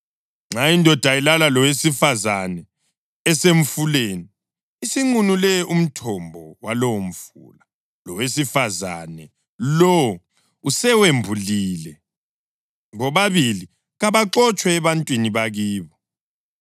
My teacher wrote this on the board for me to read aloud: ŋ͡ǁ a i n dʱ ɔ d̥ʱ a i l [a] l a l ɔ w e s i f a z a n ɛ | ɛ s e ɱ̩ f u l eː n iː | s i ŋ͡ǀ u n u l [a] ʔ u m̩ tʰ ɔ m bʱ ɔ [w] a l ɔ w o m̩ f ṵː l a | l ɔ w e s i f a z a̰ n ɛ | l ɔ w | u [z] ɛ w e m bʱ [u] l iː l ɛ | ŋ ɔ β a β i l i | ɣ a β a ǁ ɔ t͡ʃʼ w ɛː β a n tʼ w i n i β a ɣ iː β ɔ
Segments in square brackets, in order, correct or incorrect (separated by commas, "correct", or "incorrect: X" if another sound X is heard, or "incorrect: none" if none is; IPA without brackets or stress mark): correct, incorrect: ɛ, correct, incorrect: s, correct